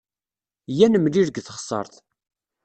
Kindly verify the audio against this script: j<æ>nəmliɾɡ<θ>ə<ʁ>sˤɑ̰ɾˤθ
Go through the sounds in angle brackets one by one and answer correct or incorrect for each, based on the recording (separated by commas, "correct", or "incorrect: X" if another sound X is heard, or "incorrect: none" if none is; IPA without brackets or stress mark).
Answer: correct, correct, incorrect: χ